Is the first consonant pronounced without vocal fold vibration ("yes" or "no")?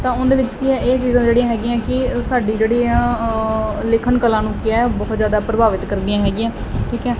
yes